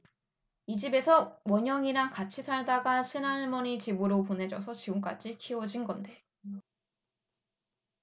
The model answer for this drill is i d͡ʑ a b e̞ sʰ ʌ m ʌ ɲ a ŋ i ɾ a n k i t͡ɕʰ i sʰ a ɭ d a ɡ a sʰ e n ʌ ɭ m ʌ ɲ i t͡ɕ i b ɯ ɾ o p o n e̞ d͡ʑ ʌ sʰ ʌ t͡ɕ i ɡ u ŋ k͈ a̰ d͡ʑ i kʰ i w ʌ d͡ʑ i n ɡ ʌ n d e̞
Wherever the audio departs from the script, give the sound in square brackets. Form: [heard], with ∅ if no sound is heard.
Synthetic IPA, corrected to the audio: i d͡ʑ [i] b e̞ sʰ ʌ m ʌ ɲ [ʌ] ŋ i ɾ a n k [a] t͡ɕʰ i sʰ a ɭ d a ɡ a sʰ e n [a] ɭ m ʌ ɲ i t͡ɕ i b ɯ ɾ o p o n e̞ d͡ʑ ʌ sʰ ʌ t͡ɕ i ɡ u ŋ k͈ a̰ d͡ʑ i kʰ i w ʌ d͡ʑ i n ɡ ʌ n d e̞